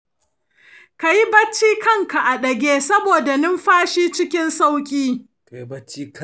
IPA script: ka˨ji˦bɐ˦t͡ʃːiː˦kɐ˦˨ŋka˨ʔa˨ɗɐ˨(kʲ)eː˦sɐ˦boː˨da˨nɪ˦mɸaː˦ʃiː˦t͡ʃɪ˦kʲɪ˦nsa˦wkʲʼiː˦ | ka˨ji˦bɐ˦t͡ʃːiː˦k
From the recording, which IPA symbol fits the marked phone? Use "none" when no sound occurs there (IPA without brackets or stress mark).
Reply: ɡʲ